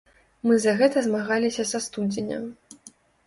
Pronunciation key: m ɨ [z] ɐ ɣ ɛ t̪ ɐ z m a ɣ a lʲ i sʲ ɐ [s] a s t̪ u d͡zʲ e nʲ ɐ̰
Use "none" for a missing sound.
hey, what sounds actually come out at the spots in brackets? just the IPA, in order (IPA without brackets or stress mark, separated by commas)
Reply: z, s